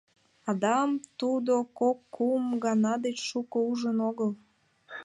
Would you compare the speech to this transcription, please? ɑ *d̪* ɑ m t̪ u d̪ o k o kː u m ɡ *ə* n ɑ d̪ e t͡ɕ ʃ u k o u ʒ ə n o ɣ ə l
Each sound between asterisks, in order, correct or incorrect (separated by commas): correct, incorrect